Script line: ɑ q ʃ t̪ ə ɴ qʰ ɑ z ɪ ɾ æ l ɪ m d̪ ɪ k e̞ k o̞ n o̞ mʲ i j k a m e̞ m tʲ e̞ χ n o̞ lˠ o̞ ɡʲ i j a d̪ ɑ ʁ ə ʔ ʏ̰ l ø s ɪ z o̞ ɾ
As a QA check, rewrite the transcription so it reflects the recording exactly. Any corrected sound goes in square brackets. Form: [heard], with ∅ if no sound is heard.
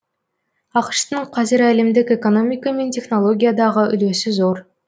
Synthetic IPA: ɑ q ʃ t̪ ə ɴ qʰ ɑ z ɪ ɾ æ l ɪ m d̪ ɪ k e̞ k o̞ n o̞ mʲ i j k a m e̞ [n] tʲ e̞ χ n o̞ lˠ o̞ ɡʲ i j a d̪ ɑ ʁ ə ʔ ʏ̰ l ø s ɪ z o̞ ɾ